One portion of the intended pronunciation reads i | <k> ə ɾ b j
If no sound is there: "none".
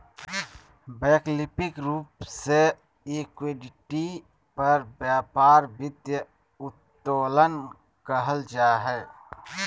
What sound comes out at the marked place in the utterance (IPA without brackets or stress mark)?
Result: p